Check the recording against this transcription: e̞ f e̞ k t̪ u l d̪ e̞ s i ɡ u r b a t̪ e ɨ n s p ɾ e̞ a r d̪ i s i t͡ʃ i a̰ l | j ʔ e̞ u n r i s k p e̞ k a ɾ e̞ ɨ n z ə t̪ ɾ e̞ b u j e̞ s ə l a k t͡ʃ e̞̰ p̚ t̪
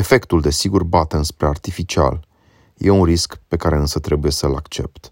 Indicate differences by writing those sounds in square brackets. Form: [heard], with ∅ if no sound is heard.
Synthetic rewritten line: e̞ f e̞ k t̪ u l d̪ e̞ s i ɡ u r b a t̪ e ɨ n s p ɾ e̞ a r [t̪] i [f] i t͡ʃ i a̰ l | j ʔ e̞ u n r i s k p e̞ k a ɾ e̞ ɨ n [s] ə t̪ ɾ e̞ b u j e̞ s ə l a k t͡ʃ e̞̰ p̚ t̪